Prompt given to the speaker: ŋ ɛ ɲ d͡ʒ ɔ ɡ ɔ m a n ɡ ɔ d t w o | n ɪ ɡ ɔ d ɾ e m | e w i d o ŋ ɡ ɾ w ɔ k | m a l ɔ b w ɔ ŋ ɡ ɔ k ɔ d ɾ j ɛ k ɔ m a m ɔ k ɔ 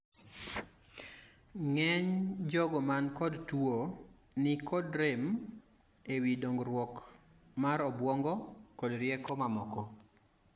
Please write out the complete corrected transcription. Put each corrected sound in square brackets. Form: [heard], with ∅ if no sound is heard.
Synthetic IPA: ŋ ɛ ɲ d͡ʒ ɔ ɡ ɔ m a n [k] ɔ d t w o | n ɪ [k] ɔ d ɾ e m | e w i d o ŋ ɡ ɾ w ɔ k | m a [ɾ] ɔ b w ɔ ŋ ɡ ɔ k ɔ d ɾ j ɛ k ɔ m a m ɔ k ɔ